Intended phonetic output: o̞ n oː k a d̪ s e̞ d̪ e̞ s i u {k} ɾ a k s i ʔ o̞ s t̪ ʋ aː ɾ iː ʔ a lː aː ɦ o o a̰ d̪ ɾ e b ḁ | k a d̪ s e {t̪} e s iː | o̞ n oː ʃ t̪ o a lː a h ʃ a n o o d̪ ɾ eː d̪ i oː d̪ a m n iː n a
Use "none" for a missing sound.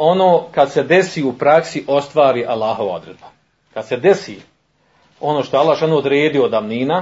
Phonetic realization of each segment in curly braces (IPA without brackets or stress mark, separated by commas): p, d̪